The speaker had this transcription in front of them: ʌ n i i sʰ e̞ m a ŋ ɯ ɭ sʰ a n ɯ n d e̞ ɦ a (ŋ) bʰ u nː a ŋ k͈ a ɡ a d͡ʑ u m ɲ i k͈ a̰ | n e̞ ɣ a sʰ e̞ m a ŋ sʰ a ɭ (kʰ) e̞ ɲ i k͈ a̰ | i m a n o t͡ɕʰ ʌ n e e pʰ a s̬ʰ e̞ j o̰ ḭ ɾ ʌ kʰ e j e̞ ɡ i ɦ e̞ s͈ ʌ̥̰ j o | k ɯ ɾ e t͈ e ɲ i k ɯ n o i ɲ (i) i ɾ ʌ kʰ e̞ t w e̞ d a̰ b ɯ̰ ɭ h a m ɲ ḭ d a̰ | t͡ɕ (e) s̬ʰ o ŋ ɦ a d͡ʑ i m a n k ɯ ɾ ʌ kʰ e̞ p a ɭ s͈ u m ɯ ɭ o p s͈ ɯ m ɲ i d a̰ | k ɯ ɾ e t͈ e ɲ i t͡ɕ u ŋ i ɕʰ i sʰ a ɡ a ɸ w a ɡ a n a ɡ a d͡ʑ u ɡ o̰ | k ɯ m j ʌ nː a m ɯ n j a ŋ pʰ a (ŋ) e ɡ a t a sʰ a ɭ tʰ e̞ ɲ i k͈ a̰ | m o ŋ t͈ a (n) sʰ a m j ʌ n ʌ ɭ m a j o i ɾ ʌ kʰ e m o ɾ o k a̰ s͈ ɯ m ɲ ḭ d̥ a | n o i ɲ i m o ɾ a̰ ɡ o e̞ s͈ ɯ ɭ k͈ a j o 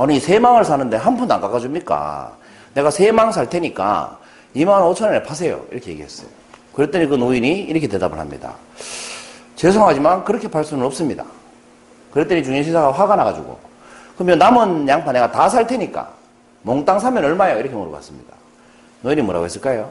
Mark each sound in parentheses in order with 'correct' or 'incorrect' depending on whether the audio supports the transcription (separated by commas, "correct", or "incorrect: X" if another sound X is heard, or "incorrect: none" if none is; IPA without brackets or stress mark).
incorrect: n, incorrect: tʰ, correct, correct, incorrect: n, incorrect: ŋ